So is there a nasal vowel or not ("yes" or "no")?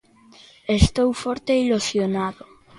no